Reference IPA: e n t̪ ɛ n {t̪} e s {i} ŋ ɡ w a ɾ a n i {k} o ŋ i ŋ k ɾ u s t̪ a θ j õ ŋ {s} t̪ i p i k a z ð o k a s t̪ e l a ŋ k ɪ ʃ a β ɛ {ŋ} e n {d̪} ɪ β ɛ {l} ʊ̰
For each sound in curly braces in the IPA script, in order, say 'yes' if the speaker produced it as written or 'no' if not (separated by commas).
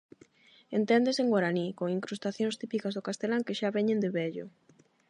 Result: no, no, yes, yes, no, yes, no